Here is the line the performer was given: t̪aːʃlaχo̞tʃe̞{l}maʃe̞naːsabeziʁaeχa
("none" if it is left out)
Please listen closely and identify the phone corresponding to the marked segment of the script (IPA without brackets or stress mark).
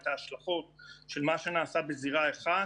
l